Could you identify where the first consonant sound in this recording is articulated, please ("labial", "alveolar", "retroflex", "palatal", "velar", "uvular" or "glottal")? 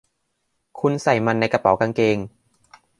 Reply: velar